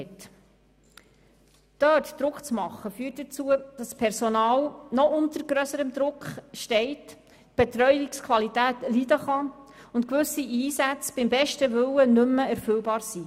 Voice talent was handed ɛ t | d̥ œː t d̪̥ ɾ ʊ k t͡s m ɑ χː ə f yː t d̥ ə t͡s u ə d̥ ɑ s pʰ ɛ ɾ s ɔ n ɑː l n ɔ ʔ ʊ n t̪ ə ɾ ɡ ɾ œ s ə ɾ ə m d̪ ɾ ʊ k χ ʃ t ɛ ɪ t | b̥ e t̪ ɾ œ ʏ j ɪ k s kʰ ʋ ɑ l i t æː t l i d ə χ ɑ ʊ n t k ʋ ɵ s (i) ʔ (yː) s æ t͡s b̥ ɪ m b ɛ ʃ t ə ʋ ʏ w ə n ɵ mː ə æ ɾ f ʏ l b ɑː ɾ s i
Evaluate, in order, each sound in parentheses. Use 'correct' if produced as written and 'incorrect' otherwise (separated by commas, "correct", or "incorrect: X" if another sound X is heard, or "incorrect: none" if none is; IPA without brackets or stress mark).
correct, incorrect: iː